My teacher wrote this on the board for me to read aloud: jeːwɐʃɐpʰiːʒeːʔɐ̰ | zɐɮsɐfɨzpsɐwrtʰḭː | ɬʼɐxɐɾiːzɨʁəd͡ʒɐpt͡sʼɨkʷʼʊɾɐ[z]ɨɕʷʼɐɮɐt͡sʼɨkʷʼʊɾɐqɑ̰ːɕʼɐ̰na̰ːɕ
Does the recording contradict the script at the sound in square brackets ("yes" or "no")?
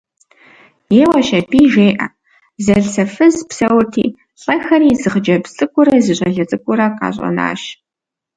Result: no